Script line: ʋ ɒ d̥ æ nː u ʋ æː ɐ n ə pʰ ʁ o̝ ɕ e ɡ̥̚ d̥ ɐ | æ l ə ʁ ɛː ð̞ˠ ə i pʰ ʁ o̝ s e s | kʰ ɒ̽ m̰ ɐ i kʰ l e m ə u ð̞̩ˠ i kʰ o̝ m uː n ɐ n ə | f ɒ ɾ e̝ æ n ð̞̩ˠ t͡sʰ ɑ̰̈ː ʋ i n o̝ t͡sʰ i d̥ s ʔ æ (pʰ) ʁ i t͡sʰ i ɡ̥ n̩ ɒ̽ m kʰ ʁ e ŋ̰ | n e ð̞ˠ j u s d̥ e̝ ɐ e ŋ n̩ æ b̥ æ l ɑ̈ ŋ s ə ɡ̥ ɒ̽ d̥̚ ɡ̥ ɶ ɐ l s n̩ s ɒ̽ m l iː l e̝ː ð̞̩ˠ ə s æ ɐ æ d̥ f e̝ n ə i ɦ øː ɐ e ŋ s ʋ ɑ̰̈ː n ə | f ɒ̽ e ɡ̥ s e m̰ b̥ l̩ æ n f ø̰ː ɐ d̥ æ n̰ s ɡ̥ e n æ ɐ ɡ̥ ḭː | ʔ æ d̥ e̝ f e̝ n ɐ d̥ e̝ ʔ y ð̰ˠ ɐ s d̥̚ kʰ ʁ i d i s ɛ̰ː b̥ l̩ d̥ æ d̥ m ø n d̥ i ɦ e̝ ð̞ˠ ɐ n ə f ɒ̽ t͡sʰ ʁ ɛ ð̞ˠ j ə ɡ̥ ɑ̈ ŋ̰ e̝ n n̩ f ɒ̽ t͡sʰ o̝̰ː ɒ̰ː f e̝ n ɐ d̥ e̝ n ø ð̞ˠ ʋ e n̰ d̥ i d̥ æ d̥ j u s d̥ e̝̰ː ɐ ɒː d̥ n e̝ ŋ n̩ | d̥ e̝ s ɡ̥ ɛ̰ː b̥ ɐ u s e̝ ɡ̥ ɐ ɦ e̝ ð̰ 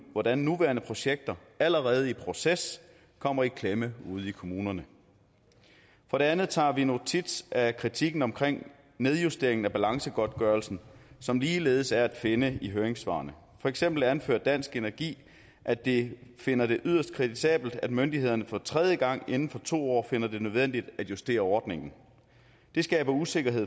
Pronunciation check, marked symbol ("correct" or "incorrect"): incorrect